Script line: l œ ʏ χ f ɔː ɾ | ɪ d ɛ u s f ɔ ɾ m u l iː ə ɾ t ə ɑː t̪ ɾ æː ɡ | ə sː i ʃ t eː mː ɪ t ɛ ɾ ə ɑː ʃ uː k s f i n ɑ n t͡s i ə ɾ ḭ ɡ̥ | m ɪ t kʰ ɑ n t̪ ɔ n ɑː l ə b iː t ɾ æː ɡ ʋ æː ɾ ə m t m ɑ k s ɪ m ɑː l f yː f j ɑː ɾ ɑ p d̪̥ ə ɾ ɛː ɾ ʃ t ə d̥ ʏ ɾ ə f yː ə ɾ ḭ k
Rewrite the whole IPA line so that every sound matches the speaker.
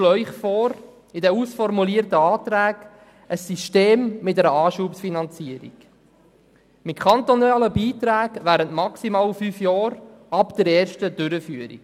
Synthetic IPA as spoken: l œ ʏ χ f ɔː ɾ | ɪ d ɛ u s f ɔ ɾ m u l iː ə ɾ t ə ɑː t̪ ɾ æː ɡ | ə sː i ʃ t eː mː ɪ t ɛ ɾ ə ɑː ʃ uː p s f i n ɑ n t͡s i ə ɾ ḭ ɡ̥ | m ɪ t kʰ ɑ n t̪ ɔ n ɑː l ə b iː t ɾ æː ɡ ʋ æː ɾ ə n t m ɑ k s i m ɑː l f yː f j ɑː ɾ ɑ p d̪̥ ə ɾ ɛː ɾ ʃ t ə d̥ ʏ ɾ ə f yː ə ɾ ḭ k